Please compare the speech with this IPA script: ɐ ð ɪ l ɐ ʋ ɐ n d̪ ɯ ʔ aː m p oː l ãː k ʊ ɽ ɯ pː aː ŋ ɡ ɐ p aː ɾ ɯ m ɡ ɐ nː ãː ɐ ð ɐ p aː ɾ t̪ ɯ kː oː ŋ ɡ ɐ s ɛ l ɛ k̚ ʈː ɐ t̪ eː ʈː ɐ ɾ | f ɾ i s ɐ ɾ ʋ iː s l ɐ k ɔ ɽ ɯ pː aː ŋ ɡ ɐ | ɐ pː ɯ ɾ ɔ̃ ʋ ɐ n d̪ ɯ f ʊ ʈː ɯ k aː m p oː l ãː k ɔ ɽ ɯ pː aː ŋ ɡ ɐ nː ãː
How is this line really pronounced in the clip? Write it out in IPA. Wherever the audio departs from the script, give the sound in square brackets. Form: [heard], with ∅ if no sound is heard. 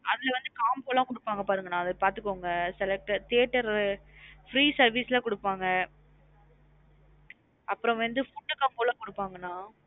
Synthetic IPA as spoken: ɐ ð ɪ l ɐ ʋ ɐ n d̪ ɯ [k] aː m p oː l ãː k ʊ ɽ ɯ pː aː ŋ ɡ ɐ p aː ɾ ɯ [ŋ] ɡ ɐ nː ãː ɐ ð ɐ p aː ɾ t̪ ɯ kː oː ŋ ɡ ɐ s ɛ l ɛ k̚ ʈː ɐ t̪ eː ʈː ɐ ɾ | f ɾ [iː] s ɐ ɾ ʋ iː s l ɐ k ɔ ɽ ɯ pː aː ŋ ɡ ɐ | ɐ pː ɯ ɾ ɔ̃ ʋ ɐ n d̪ ɯ f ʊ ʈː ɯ k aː m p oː l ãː k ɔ ɽ ɯ pː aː ŋ ɡ ɐ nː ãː